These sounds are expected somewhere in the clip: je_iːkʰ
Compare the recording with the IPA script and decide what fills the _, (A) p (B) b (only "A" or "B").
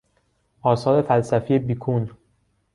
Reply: B